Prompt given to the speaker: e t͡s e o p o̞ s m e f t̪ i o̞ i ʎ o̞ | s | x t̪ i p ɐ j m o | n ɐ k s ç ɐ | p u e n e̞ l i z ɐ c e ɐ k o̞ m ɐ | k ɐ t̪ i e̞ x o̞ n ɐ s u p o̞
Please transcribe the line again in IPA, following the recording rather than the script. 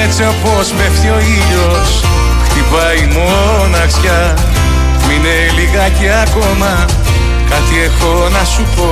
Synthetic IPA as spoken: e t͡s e o p o̞ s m e f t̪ i o̞ i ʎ o̞ | s | x t̪ i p ɐ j m o | n ɐ k s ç ɐ | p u i n e̞ l i ɣ ɐ c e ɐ k o̞ m ɐ | k ɐ t̪ i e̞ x o̞ n ɐ s u p o̞